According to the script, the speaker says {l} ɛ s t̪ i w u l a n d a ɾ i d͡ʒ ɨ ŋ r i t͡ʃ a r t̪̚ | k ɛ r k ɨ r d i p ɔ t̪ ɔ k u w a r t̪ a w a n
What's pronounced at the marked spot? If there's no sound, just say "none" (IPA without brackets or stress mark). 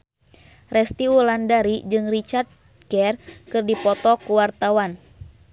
r